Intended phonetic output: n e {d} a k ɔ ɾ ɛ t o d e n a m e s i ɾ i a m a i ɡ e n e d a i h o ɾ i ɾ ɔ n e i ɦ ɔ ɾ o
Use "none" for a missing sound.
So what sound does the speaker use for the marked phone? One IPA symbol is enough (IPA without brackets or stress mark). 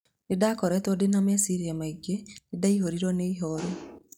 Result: d